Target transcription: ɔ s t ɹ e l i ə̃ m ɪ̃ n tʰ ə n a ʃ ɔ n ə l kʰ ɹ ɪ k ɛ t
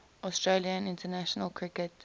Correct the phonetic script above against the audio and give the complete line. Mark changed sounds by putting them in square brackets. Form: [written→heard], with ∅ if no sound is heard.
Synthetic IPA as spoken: ɔ s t ɹ e l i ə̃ [m→n] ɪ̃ n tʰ ə n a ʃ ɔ n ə l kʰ ɹ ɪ k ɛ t